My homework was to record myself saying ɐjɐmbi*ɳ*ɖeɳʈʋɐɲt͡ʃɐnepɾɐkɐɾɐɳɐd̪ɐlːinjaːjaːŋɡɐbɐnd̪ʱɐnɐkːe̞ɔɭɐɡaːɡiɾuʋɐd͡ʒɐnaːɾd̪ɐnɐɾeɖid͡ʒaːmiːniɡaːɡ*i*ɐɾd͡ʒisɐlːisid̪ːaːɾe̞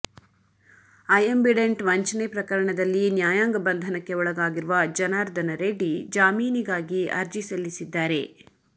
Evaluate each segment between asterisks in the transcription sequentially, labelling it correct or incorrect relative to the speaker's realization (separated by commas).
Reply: incorrect, correct